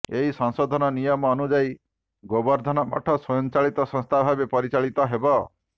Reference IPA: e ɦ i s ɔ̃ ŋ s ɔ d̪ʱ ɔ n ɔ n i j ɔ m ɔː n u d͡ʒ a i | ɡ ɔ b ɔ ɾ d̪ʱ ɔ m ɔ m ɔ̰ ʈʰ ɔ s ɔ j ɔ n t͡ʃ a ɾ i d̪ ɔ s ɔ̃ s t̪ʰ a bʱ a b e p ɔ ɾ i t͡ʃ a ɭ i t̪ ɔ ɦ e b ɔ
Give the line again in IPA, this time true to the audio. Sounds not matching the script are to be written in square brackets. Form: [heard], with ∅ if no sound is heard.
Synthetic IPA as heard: e ɦ i s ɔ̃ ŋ s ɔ d̪ʱ ɔ n ɔ n i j ɔ m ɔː n u d͡ʒ a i | ɡ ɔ b ɔ ɾ d̪ʱ ɔ [n] ɔ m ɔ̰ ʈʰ ɔ s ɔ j ɔ n t͡ʃ a [ɭ] i [t̪] ɔ s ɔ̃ s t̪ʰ a bʱ a b e p ɔ ɾ i t͡ʃ a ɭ i t̪ ɔ ɦ e b ɔ